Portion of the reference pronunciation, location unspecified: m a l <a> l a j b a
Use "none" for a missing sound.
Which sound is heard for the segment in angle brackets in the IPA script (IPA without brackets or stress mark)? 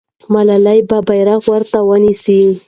a